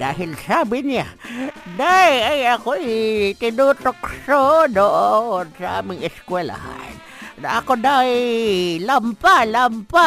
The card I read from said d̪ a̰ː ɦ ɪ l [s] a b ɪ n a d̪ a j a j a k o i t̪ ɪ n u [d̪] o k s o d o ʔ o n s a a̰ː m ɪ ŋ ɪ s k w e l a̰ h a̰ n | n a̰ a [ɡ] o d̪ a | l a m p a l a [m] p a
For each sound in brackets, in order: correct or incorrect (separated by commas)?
correct, incorrect, incorrect, correct